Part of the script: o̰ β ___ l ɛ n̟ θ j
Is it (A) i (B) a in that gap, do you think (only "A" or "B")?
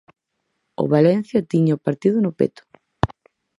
B